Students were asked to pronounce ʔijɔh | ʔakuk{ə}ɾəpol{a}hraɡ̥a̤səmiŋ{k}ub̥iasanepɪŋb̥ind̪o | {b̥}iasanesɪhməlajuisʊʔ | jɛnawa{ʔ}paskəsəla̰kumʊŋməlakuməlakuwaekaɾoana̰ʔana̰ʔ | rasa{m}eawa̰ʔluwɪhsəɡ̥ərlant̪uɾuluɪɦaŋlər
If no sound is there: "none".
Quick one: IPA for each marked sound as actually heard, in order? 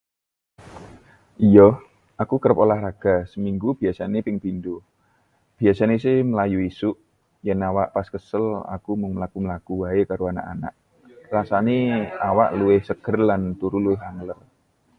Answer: ə, a, ɡ, b̥, ʔ, n

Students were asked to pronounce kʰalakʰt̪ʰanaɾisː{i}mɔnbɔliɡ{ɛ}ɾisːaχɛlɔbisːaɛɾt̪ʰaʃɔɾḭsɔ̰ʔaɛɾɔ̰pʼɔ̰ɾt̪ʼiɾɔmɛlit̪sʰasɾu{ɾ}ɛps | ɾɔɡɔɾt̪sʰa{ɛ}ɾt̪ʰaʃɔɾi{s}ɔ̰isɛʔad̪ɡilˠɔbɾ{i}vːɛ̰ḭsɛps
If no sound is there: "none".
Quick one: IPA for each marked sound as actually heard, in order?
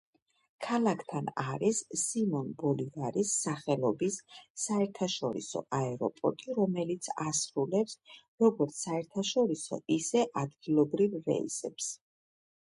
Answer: i, a, l, ɛ, s, i

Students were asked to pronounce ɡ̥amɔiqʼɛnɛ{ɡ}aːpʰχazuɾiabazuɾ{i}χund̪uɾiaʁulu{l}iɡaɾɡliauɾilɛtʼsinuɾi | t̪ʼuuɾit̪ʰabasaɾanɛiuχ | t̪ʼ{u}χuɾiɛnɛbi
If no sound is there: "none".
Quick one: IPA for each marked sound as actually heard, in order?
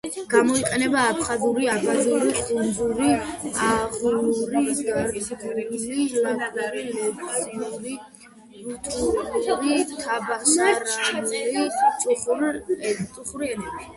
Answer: b, i, ɾ, u

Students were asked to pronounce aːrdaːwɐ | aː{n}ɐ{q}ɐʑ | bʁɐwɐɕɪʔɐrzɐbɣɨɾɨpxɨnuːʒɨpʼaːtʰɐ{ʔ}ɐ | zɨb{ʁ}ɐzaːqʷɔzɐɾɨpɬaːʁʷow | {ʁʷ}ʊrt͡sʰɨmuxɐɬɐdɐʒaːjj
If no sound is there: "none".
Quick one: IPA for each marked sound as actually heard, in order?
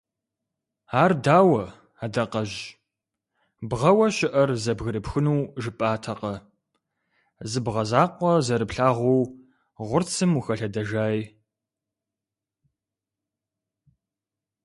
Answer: d, q, q, ʁ, ʁʷ

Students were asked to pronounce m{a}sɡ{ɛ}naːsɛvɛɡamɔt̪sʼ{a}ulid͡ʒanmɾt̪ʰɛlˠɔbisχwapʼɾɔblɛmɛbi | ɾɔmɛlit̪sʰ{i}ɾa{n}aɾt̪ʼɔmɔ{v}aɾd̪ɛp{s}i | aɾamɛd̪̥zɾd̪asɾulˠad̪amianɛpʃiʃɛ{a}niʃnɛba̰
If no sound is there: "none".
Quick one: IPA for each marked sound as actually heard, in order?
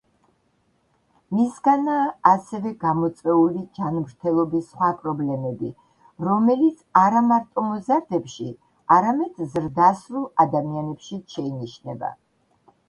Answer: i, a, ɛ, a, m, z, ʃ, i

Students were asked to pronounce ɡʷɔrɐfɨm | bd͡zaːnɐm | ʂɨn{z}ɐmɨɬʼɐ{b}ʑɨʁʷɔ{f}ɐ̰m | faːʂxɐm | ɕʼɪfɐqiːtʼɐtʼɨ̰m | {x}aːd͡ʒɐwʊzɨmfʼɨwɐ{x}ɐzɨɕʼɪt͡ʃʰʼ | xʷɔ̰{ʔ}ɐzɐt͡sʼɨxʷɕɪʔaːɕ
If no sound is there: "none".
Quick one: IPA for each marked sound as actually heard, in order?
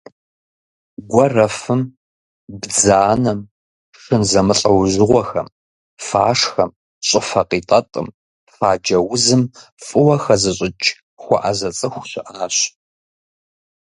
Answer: z, w, x, f, x, ʔ

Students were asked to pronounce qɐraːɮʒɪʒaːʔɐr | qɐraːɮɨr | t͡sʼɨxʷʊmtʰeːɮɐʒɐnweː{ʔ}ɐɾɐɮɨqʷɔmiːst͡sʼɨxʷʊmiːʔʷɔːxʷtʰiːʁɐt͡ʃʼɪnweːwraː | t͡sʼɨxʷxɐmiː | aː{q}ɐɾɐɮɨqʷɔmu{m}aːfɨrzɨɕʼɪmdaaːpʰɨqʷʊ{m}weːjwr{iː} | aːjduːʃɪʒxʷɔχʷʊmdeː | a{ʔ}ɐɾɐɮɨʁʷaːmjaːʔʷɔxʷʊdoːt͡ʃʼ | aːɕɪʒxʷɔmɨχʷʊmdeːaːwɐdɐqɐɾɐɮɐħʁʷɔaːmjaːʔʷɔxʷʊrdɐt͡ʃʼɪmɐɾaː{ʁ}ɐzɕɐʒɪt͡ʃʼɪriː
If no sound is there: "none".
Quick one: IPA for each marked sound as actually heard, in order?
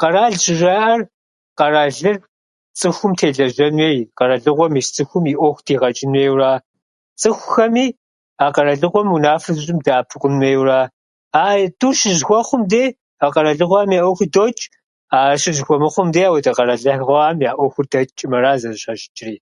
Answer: q, q, n, n, aː, q, z

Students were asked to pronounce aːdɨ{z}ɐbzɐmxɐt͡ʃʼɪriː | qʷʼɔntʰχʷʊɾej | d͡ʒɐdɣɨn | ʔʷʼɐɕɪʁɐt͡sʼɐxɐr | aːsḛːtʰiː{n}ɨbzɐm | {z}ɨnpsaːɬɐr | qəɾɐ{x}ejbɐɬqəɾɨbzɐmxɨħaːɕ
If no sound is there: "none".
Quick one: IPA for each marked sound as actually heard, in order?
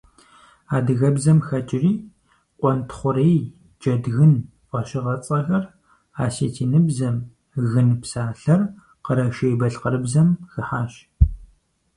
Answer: ɣ, n, ɣ, ʃ

